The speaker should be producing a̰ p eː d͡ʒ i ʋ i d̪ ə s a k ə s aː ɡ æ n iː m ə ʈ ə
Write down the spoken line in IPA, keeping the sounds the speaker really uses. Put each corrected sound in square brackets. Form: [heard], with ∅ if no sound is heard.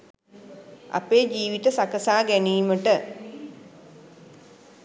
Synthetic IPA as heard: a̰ p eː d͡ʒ [iː] ʋ i [t̪] ə s a k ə s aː ɡ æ n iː m ə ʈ ə